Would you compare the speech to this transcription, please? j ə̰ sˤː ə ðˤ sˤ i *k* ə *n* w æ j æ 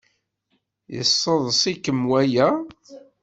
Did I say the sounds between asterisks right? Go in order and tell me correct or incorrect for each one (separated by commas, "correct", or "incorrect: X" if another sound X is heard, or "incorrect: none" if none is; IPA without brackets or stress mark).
correct, incorrect: m